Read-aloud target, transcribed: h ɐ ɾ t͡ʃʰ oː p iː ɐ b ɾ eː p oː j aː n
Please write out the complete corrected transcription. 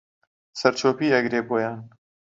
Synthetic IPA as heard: s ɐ ɾ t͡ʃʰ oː p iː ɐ ɡ ɾ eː b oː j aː n

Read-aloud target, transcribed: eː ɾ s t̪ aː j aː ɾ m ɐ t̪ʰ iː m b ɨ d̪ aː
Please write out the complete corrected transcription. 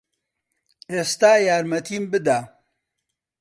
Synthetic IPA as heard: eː s t̪ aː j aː ɾ m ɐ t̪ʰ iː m b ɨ d̪ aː

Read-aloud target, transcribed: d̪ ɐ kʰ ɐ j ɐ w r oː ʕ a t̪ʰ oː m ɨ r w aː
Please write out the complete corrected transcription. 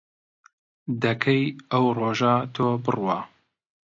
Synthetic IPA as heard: d̪ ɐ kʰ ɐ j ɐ w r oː ʒ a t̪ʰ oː b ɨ r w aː

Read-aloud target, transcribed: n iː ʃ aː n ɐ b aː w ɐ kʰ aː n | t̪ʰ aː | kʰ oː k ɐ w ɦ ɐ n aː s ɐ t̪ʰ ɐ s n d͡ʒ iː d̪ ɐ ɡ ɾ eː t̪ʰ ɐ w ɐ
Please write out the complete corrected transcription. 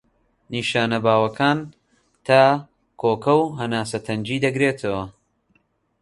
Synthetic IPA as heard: n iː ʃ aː n ɐ b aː w ɐ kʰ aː n | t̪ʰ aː | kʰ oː k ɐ w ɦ ɐ n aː s ɐ t̪ʰ ɐ n d͡ʒ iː d̪ ɐ ɡ ɾ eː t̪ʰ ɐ w ɐ

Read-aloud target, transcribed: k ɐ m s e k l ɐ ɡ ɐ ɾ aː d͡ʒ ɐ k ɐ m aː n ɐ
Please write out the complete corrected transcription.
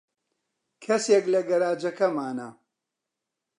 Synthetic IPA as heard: kʰ ɐ s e k l ɐ ɡ ɐ ɾ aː d͡ʒ ɐ k ɐ m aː n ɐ

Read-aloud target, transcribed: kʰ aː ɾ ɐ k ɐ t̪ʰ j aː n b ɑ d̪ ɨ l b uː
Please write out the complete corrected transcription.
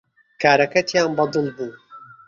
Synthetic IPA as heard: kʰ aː ɾ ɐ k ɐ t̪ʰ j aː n b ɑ d̪ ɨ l b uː

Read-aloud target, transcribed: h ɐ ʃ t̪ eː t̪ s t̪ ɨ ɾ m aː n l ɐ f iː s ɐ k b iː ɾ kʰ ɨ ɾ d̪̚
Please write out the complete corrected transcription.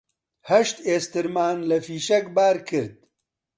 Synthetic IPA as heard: h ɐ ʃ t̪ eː s t̪ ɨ ɾ m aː n l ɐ f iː ʃ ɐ k b aː ɾ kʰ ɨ ɾ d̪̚

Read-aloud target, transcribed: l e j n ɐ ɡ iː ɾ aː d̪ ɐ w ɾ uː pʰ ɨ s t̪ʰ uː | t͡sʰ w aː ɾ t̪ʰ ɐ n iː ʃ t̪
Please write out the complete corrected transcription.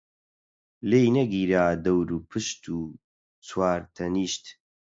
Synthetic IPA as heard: l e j n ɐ ɡ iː ɾ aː d̪ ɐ w ɾ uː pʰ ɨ ʃ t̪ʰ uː | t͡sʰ w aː ɾ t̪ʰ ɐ n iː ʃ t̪

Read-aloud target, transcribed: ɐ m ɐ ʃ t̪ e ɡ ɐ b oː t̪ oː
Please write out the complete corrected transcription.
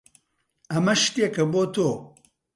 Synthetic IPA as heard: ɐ m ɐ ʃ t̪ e k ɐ b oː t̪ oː

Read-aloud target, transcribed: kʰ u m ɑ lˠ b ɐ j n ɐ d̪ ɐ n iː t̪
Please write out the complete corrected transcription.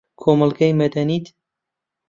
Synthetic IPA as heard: kʰ o m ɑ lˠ ɡ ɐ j m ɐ d̪ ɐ n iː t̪

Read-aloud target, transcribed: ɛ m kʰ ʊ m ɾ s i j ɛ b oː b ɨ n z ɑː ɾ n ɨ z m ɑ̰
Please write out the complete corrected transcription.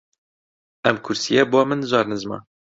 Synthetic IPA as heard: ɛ m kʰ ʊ ɾ s i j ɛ b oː m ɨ n z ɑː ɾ n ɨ z m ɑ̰

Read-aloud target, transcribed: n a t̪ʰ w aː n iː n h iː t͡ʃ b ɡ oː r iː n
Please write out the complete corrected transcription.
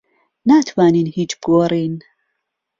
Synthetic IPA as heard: n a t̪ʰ w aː n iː n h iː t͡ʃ b ɡ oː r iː n

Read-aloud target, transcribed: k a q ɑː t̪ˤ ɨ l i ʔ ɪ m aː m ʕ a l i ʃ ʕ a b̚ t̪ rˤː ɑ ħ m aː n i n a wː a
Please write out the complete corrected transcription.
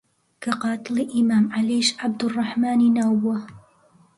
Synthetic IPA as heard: k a q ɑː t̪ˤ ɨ l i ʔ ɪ m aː m ʕ a l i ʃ ʕ a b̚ d̪ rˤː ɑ ħ m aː n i n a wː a

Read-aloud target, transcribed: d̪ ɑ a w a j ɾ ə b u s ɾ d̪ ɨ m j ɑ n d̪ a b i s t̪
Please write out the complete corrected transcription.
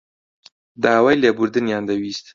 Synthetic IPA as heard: d̪ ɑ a w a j l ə b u ɾ d̪ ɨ n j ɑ n d̪ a w i s t̪

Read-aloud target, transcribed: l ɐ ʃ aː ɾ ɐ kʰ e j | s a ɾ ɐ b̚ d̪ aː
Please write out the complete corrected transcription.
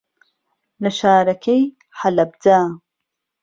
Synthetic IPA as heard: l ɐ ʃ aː ɾ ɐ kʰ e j | ħ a l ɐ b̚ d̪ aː

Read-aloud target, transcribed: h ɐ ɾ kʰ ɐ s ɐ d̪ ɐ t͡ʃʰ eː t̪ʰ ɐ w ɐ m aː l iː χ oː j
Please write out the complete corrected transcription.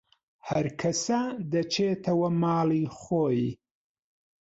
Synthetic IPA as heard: h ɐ ɾ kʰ ɐ s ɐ d̪ ɐ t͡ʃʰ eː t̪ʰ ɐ w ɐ m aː l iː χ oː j

